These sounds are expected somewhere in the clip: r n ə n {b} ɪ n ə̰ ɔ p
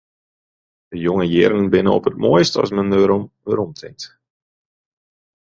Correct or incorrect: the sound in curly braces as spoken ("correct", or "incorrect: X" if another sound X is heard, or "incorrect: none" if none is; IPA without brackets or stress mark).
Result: correct